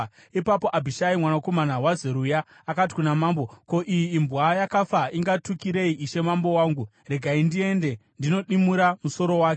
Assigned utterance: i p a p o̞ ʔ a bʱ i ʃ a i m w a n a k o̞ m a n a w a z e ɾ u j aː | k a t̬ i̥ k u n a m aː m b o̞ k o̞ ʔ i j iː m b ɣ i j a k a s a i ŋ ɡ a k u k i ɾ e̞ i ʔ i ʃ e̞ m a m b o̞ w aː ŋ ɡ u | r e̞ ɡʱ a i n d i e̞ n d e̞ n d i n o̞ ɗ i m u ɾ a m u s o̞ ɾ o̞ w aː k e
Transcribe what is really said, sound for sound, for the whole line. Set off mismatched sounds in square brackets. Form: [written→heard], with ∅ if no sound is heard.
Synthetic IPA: i p a p o̞ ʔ a bʱ i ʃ a i m w a n a k o̞ m a n a w a z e ɾ u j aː | k a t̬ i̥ k u n a m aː m b o̞ k o̞ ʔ i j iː m b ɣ [i→a] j a k a [s→f] a i ŋ ɡ a [k→t] u k i ɾ e̞ i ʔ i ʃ e̞ m a m b o̞ w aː ŋ ɡ u | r e̞ ɡʱ a i n d i e̞ n d e̞ n d i n o̞ ɗ i m u ɾ a m u s o̞ ɾ o̞ w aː k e

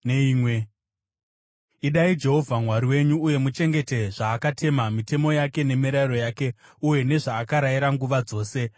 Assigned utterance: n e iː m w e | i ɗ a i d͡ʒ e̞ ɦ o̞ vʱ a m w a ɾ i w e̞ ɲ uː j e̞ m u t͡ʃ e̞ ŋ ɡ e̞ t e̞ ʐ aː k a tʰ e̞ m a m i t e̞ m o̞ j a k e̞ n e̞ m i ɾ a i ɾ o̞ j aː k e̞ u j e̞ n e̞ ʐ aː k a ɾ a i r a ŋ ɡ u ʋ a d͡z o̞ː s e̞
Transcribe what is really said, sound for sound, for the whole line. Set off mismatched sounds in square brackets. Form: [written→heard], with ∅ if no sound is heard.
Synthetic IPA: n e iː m w e | i ɗ a i d͡ʒ e̞ ɦ o̞ vʱ a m w a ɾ i w e̞ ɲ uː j e̞ m u t͡ʃ e̞ ŋ ɡ e̞ t e̞ ʐ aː k a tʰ e̞ m a m i t e̞ m o̞ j a k e̞ n e̞ m i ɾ a i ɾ o̞ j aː k e̞ u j e̞ n e̞ ʐ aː k a ɾ a i [r→ɾ] a ŋ ɡ u ʋ a d͡z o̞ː s e̞

